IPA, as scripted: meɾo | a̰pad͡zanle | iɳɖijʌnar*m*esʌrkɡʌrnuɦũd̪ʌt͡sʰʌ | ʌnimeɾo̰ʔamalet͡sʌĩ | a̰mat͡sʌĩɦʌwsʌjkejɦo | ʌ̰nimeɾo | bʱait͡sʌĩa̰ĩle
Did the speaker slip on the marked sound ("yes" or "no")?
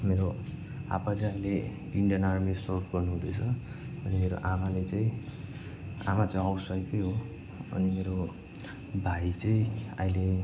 no